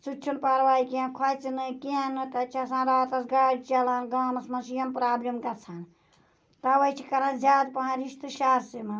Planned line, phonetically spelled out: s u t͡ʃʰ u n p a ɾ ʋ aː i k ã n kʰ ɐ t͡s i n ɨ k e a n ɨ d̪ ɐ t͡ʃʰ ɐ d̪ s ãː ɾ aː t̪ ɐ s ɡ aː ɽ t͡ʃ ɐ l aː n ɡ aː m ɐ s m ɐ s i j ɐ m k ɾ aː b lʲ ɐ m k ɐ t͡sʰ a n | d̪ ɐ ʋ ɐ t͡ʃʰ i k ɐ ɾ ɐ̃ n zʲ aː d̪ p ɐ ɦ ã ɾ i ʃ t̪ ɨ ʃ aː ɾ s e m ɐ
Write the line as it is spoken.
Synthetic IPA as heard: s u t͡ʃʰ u n p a ɾ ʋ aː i k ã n kʰ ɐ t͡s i n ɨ k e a n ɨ t̪ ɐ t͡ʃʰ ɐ s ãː ɾ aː t̪ ɐ s ɡ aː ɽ t͡ʃ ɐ l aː n ɡ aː m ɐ s m ɐ s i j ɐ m p ɾ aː b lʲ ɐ m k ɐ t͡sʰ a n | t̪ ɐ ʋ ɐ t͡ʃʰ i k ɐ ɾ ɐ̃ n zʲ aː d̪ p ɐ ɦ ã ɾ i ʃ t̪ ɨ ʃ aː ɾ s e m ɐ

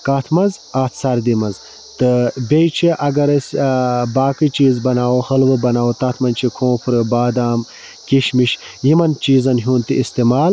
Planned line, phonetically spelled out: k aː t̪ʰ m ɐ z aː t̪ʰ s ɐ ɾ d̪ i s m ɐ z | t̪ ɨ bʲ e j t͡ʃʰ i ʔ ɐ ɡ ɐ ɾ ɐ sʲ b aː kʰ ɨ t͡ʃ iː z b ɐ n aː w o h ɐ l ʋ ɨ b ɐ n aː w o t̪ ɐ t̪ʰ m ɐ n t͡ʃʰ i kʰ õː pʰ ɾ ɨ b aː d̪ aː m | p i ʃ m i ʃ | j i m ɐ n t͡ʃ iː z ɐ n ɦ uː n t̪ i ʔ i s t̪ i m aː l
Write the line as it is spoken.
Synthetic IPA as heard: k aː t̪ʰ m ɐ z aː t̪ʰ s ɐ ɾ d̪ i m ɐ z | t̪ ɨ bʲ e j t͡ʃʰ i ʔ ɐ ɡ ɐ ɾ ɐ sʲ b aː k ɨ t͡ʃ iː z b ɐ n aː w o h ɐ l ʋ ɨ b ɐ n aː w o t̪ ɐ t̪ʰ m ɐ n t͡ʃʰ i kʰ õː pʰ ɾ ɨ b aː d̪ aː m | k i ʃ m i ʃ | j i m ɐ n t͡ʃ iː z ɐ n ɦ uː n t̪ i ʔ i s t̪ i m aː l

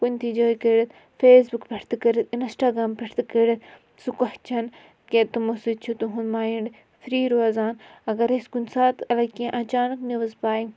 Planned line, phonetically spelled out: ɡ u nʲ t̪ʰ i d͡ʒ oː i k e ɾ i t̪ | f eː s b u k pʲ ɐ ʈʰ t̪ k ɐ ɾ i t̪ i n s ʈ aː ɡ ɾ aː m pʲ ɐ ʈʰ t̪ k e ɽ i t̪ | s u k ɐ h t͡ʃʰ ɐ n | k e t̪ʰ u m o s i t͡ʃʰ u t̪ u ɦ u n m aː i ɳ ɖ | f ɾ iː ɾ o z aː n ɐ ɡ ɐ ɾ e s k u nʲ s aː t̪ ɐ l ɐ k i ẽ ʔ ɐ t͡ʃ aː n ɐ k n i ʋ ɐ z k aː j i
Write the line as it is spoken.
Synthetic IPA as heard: k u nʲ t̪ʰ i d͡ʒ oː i k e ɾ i t̪ | f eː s b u k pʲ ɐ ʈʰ t̪ k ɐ ɾ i t̪ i n s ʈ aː ɡ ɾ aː m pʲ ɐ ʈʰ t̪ k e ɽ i t̪ | s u k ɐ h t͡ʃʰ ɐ n | k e t̪ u m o s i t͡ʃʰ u t̪ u ɦ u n m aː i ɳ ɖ | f ɾ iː ɾ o z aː n ɐ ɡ ɐ ɾ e s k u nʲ s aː t̪ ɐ l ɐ k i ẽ ʔ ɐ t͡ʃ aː n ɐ k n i ʋ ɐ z p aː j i

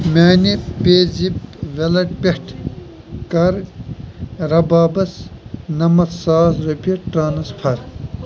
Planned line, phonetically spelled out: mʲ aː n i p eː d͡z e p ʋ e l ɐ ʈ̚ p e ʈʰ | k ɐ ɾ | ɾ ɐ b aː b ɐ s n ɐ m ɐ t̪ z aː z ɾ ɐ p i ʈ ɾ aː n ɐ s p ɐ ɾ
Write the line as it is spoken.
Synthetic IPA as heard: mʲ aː n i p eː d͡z i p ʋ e l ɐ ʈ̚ p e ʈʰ | k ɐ ɾ | ɾ ɐ b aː b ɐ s n ɐ m ɐ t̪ s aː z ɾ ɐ p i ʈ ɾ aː n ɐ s pʰ ɐ ɾ

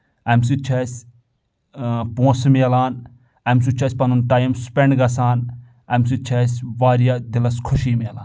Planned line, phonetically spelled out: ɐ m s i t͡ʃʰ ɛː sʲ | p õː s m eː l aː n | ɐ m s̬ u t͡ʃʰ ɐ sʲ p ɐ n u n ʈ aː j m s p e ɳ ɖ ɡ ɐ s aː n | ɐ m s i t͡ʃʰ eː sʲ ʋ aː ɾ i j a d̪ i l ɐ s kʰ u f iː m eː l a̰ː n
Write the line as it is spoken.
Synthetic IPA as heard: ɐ m s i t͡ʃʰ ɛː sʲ | p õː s m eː l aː n | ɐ m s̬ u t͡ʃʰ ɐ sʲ p ɐ n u n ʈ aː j m s p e ɳ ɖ ɡ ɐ s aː n | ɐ m s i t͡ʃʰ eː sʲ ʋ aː ɾ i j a d̪ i l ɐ s kʰ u ʃ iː m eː l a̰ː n

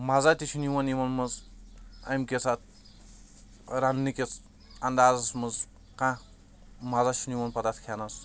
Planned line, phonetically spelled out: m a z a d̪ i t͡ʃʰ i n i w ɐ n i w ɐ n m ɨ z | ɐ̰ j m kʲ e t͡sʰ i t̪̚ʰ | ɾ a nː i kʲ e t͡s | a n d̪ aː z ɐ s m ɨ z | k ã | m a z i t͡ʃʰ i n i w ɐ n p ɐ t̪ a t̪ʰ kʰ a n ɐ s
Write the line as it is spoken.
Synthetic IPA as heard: m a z a t̪ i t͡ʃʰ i n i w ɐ n i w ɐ n m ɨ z | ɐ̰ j m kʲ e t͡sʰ a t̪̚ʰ | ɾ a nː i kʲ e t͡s | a n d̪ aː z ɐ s m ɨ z | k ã | m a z a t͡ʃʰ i n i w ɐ n p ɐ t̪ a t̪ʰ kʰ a n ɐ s

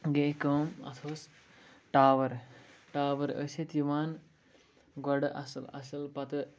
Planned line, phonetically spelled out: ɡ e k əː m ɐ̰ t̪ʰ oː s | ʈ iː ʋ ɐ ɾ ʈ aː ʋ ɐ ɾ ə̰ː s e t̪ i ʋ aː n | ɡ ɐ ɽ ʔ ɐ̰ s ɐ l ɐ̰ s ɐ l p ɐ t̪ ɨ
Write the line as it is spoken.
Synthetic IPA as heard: ɡ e k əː m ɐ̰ t̪ʰ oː s | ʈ aː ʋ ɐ ɾ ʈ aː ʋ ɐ ɾ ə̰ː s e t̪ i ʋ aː n | ɡ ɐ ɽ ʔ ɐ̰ s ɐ l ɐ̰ s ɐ l p ɐ t̪ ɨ

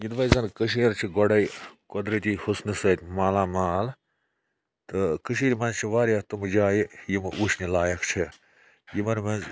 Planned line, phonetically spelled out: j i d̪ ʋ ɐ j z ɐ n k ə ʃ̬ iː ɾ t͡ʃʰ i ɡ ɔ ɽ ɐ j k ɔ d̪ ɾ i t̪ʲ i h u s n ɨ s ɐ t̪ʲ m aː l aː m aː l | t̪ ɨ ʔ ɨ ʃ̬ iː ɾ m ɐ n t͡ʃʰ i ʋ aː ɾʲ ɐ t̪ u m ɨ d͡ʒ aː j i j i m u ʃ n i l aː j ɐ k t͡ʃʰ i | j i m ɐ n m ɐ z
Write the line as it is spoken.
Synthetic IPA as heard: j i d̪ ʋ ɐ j z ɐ n k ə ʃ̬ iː ɾ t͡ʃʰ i ɡ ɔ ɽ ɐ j k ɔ d̪ ɾ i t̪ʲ i h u s n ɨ s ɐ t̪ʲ m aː l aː m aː l | t̪ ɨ k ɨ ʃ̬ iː ɾ m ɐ n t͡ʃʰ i ʋ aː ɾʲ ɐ t̪ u m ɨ d͡ʒ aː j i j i m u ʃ n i l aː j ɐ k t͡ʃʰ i | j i m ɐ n m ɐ z

